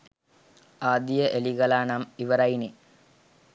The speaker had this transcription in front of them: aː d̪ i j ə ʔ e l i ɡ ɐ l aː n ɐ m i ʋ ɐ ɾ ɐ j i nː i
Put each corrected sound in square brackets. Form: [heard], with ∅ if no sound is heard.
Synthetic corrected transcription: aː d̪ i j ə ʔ e l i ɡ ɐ l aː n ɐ m i ʋ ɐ ɾ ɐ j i [n] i